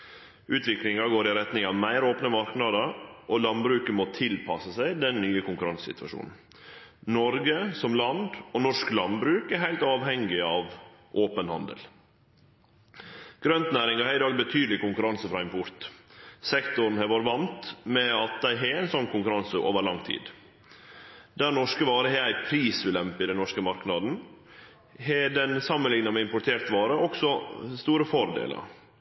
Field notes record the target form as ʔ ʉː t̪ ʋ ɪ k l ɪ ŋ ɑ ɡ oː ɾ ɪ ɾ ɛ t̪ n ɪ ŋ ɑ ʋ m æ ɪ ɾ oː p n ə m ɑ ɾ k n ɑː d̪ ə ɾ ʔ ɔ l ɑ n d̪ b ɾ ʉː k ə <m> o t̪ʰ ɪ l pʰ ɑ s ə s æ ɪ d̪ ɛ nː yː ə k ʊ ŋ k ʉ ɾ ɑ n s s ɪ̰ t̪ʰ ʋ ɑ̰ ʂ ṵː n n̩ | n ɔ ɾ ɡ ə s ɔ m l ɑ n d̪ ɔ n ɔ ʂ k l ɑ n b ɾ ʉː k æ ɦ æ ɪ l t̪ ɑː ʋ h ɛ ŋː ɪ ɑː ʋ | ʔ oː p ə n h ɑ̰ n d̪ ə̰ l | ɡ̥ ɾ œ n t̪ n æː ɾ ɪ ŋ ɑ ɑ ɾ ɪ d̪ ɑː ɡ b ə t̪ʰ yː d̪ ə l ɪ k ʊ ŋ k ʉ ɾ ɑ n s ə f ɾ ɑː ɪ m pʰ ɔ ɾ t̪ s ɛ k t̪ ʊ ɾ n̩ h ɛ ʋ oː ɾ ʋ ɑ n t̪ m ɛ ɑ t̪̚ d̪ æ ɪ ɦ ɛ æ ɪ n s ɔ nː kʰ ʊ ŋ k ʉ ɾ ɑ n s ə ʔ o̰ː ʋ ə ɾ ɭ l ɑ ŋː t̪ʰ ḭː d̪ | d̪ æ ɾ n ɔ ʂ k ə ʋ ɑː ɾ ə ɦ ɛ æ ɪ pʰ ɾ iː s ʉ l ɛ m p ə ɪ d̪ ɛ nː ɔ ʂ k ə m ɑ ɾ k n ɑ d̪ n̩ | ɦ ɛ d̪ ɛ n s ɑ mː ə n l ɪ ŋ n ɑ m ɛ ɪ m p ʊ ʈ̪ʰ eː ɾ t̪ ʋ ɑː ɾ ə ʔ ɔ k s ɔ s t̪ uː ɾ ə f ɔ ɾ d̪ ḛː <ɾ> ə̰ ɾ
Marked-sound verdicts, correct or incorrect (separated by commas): correct, incorrect